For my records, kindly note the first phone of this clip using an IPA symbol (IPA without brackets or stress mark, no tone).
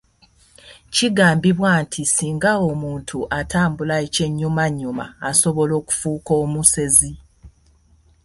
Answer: c